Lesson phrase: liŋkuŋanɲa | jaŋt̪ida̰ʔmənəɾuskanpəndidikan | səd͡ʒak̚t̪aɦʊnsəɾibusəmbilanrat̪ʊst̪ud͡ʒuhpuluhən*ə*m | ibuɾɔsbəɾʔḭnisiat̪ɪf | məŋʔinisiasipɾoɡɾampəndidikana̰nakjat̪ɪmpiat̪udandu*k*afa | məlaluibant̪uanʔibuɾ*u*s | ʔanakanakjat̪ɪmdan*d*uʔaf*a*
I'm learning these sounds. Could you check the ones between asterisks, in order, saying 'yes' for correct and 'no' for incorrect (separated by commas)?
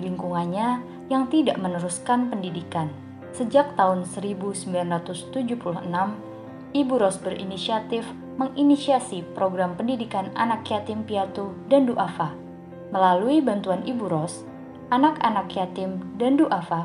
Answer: no, no, no, yes, yes